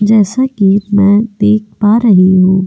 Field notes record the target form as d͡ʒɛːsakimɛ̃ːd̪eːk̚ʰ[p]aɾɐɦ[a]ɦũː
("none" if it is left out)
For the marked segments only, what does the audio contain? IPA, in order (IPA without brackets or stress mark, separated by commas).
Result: p, i